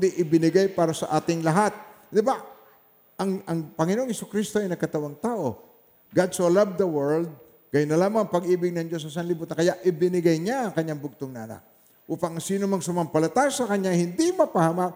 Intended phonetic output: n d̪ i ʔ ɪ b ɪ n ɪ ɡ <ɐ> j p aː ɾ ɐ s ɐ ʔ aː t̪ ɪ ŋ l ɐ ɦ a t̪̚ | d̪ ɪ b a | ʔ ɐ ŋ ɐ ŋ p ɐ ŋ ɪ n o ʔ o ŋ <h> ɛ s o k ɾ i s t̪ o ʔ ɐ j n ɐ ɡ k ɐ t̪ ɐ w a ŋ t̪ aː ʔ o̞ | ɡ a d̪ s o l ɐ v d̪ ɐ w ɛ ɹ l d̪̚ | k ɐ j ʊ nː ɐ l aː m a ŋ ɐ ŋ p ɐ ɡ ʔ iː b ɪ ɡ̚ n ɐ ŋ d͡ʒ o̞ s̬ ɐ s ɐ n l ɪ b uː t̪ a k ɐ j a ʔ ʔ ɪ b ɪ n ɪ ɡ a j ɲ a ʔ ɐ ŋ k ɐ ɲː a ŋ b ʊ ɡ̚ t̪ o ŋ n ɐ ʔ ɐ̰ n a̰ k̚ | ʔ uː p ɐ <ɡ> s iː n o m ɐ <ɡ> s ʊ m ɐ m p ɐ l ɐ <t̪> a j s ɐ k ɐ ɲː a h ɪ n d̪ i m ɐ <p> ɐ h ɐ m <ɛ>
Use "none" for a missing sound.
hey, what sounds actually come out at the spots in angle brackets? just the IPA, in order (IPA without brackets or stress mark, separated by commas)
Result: a, h, ŋ, ŋ, t̪, p, a